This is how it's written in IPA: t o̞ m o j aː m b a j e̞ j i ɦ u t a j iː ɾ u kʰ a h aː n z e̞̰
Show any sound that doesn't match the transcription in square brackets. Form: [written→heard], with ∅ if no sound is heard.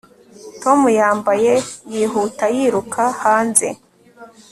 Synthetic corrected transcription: t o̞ m [o→u] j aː m b a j e̞ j i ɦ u t a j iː ɾ u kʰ a h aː n z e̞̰